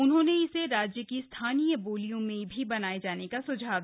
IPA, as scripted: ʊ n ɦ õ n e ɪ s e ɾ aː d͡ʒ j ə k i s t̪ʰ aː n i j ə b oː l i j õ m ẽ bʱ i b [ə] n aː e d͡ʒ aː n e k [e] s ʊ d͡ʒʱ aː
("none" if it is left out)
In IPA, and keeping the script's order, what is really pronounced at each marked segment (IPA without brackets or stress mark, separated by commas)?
ɐ, a